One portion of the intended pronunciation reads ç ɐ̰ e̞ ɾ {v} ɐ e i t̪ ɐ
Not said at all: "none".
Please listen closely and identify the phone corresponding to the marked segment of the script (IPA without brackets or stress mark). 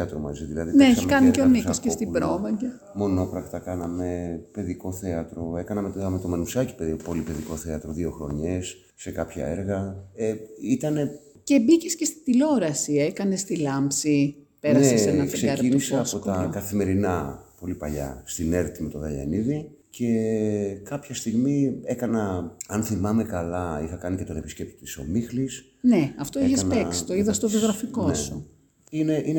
ɣ